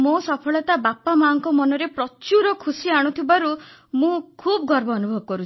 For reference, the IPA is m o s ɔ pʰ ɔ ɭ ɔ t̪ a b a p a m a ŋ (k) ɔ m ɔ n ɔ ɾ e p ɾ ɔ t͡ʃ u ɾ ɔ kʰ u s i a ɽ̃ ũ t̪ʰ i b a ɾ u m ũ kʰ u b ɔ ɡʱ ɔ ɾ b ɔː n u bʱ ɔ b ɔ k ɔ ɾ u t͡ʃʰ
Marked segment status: correct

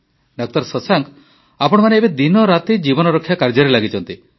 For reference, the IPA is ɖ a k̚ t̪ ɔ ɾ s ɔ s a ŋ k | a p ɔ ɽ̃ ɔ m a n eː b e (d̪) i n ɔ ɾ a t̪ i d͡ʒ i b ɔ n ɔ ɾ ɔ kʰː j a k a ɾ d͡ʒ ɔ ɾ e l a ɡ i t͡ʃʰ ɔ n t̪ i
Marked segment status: correct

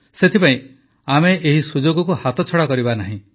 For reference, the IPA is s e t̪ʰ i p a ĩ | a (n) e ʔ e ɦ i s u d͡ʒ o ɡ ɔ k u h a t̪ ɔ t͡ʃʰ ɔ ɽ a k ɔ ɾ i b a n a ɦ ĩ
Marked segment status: incorrect: m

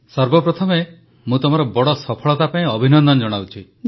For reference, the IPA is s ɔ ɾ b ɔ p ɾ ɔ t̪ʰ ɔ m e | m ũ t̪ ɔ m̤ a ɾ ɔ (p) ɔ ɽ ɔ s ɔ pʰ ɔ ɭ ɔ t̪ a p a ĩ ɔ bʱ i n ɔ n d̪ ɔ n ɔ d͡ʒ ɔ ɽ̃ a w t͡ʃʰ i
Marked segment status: incorrect: b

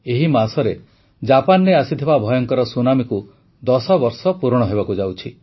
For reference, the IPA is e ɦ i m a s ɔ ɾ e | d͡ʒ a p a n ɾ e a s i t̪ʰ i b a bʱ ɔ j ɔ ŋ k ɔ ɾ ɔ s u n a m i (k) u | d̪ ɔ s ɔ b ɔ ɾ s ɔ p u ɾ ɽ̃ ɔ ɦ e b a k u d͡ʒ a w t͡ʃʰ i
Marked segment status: correct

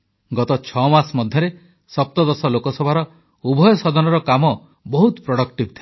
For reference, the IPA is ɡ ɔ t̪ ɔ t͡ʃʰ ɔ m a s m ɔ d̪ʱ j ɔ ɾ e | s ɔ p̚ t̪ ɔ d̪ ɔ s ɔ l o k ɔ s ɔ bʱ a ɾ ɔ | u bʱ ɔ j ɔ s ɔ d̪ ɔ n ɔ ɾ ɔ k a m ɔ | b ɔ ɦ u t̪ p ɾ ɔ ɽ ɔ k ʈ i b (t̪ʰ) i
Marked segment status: correct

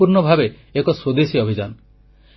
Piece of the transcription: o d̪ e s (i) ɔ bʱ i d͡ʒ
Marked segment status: correct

